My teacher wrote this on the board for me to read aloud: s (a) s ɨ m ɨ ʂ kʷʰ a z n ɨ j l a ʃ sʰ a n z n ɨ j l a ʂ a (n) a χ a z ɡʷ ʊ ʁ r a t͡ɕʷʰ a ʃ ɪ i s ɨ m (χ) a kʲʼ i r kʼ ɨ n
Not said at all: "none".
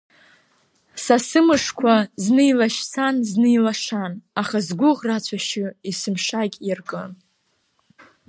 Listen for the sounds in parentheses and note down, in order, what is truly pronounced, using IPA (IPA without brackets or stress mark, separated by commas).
a, n, ʂ